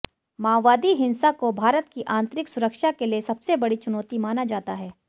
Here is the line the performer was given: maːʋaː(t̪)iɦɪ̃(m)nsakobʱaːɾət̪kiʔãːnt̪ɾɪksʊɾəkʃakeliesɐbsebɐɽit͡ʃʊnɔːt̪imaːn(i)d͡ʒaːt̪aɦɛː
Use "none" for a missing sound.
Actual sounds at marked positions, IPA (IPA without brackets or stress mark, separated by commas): d̪, none, a